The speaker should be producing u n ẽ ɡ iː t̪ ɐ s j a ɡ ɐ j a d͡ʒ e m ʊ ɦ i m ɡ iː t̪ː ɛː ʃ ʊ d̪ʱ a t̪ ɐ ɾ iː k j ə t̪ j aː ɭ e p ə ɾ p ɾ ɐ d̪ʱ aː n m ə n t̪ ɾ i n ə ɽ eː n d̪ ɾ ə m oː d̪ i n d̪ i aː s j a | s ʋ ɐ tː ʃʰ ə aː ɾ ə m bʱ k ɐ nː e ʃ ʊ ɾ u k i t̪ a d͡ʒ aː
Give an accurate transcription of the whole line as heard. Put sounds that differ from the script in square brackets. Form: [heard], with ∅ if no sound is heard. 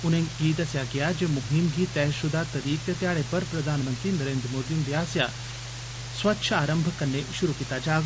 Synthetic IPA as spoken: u n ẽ ɡ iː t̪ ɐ s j a ɡ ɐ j a d͡ʒ e m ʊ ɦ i m ɡ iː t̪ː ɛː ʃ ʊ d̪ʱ a t̪ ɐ ɾ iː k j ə t̪ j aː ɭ e p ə ɾ p ɾ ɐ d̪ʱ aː n m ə n t̪ ɾ i n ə [ɾ] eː n d̪ ɾ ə m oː d̪ i n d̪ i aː s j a | s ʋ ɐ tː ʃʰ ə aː ɾ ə m bʱ k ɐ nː e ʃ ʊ ɾ u k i t̪ a d͡ʒ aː